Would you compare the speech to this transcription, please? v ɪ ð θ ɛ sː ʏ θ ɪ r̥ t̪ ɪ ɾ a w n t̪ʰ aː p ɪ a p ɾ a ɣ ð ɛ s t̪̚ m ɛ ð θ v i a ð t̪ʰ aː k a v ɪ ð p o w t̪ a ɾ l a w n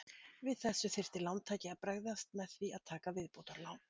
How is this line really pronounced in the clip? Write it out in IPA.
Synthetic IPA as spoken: v ɪ ð θ ɛ sː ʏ θ ɪ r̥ t̪ ɪ l a w n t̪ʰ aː c ɪ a p ɾ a ɣ ð a s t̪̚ m ɛ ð θ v i a ð t̪ʰ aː k a v ɪ ð p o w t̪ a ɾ l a w n